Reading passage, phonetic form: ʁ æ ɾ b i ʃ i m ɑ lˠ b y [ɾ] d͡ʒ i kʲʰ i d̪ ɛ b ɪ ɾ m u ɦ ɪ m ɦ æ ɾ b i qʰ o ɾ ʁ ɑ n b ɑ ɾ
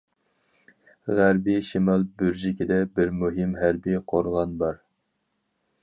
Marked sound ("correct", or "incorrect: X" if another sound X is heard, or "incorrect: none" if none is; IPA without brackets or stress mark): correct